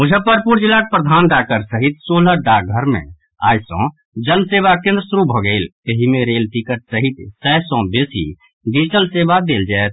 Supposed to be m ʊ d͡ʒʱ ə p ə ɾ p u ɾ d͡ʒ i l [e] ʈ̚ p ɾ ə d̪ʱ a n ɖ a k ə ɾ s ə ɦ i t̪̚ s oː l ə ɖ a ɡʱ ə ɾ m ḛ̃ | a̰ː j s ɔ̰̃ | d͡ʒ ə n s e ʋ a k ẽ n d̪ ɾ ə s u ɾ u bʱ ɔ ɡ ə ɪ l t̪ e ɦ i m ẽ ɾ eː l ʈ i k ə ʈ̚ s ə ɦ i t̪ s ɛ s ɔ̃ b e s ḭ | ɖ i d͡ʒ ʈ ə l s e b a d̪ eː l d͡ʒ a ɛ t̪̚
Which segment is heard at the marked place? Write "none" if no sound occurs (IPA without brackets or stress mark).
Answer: a